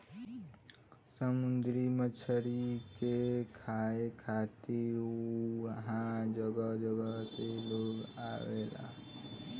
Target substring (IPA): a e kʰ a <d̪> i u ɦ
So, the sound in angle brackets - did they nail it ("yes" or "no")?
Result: no